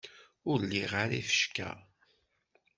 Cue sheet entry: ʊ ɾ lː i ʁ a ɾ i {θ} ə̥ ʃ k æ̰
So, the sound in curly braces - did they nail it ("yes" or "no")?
no